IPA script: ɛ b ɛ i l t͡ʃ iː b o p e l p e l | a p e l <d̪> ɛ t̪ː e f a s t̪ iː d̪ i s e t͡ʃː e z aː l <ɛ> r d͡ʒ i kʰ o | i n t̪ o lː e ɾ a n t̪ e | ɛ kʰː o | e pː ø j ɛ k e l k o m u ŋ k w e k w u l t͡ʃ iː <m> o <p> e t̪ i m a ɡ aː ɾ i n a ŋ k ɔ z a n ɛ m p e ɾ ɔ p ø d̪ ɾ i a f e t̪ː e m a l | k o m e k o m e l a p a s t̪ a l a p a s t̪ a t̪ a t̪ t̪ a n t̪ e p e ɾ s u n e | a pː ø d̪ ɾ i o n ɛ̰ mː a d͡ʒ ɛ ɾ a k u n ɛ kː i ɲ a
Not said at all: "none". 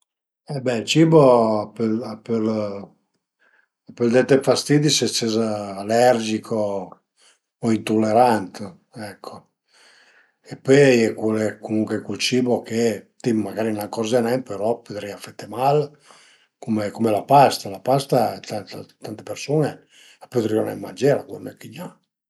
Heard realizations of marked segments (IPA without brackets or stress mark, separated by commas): d̪, ɛ, b, k